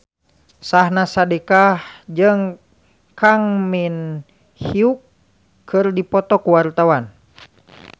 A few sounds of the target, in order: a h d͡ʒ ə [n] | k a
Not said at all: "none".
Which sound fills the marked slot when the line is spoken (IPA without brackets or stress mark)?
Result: ŋ